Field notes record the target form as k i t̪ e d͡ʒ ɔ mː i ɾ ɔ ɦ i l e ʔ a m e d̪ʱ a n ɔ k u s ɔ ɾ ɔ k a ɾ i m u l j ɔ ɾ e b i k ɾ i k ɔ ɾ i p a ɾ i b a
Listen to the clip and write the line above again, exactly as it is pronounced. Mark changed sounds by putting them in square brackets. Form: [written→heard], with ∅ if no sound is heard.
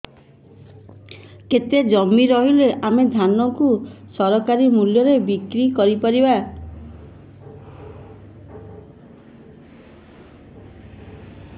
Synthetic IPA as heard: k [i→e] t̪ e d͡ʒ ɔ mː i ɾ ɔ ɦ i l e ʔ a m e d̪ʱ a n ɔ k u s ɔ ɾ ɔ k a ɾ i m u l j ɔ ɾ e b i k ɾ i k ɔ ɾ i p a ɾ i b a